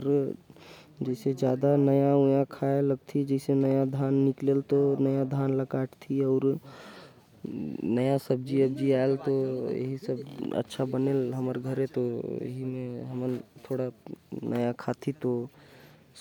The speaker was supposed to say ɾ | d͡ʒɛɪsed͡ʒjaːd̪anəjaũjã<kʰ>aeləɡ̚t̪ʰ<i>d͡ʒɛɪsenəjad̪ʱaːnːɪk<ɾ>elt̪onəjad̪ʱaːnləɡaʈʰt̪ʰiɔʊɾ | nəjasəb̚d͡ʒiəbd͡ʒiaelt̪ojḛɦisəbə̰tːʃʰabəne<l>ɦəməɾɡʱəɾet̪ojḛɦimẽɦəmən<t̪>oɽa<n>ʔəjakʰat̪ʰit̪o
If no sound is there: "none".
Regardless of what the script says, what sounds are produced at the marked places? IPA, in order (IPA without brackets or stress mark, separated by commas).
kʰ, i, l, l, t̪ʰ, n